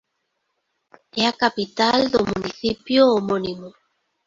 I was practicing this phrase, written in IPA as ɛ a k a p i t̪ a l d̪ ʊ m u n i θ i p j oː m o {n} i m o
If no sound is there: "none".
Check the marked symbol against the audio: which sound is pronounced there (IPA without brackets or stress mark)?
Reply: n